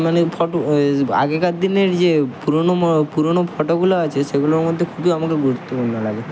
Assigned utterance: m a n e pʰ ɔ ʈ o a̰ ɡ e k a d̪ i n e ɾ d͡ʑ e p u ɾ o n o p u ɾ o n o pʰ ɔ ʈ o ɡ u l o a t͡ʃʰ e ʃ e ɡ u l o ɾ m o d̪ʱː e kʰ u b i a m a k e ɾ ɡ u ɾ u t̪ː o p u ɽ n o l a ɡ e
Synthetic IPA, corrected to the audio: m a n e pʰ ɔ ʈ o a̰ ɡ e k a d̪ i n e ɾ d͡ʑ e p u ɾ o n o p u ɾ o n o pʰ ɔ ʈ o ɡ u l o a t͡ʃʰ e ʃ e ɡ u l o ɾ m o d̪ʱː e kʰ u b i a m a k e ɾ ɡ u ɾ u t̪ː o p u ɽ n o l a ɡ e